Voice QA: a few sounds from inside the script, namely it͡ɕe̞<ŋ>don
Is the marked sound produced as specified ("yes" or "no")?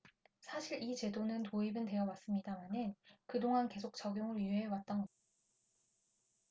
no